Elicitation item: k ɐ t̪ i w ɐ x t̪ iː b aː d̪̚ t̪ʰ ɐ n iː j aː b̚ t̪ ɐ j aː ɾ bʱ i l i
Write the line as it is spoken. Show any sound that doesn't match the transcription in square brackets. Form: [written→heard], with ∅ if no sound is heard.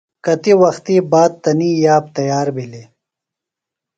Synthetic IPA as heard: k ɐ t̪ i w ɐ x t̪ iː b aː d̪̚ [t̪ʰ→t̪] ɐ n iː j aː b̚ t̪ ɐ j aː ɾ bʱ i l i